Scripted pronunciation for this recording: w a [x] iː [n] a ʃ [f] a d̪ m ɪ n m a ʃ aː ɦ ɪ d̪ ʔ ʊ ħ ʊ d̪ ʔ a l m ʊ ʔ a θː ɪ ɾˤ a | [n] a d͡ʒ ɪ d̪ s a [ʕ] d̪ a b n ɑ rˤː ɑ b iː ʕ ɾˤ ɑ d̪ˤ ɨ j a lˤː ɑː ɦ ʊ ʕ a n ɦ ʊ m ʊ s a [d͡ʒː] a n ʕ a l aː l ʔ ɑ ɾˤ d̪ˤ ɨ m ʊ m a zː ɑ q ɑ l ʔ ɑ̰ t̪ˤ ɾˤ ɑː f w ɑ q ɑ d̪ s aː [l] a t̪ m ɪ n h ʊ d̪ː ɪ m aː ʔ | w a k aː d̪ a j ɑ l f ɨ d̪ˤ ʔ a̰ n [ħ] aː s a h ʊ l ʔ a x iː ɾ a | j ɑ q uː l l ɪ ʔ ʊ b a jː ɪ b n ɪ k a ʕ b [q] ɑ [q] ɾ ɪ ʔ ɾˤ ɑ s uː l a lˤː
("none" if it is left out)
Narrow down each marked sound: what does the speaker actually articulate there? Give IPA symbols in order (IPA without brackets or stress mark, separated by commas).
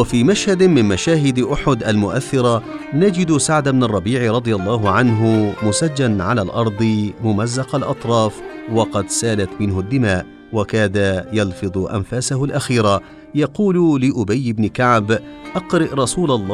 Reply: f, m, h, n, ʕ, d͡ʒː, l, f, ʔ, q